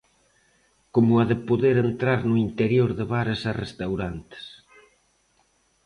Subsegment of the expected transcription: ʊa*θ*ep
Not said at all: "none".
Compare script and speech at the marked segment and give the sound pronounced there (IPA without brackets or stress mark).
ð